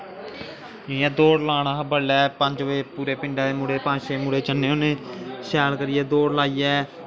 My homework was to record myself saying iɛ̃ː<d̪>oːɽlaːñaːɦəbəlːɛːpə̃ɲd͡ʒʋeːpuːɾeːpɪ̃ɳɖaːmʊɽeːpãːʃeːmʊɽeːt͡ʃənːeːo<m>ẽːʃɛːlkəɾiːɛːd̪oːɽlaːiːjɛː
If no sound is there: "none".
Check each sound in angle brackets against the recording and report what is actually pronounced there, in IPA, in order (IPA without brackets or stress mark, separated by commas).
d̪, n